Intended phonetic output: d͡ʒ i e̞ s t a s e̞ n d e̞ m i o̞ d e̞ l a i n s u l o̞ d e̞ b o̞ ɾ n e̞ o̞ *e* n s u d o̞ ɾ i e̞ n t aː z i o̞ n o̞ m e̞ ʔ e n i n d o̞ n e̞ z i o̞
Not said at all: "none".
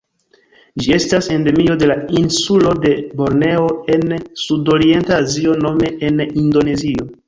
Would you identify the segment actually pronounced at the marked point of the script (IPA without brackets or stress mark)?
e